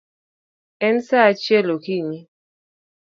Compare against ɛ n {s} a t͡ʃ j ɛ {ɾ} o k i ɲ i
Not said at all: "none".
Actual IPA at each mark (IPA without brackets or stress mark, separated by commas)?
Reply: s, l